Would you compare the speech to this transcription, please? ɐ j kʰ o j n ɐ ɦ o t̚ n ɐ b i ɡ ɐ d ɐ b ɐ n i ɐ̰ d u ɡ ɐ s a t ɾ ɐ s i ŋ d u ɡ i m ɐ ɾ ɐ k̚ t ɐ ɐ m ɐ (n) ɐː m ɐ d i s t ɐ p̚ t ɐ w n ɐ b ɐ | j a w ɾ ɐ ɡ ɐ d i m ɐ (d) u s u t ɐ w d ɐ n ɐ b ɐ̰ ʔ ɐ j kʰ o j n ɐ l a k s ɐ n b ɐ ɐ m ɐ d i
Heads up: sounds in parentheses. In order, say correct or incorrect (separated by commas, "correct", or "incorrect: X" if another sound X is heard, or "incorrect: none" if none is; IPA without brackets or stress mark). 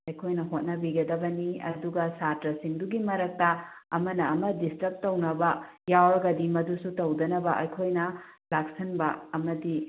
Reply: correct, correct